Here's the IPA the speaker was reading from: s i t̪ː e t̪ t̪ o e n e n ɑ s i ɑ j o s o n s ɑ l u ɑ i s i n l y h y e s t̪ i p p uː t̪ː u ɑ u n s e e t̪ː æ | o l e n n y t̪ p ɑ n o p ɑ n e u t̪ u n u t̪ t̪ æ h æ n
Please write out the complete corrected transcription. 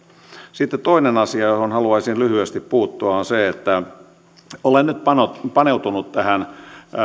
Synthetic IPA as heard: s i t̪ː e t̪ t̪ o i n e n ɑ s i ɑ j o h o n h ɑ l u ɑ i s i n l y h y e s t̪ i p p uː t̪ː u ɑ o n s e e t̪ː æ | o l e n n y t̪ p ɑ n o p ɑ n e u t̪ u n u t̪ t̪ æ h æ n